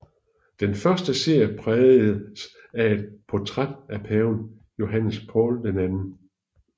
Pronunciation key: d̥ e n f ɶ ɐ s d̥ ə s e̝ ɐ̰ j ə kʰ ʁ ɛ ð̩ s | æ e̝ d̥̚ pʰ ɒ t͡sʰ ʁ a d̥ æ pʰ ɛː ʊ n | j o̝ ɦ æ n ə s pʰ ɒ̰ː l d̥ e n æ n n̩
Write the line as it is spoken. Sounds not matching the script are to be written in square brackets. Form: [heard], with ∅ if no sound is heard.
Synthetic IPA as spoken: d̥ e n f ɶ ɐ s d̥ ə s e̝ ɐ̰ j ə [pʰ] ʁ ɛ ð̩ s | æ e̝ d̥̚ pʰ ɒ t͡sʰ ʁ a d̥ æ pʰ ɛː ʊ n | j o̝ ɦ æ n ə s pʰ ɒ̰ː l d̥ e n æ n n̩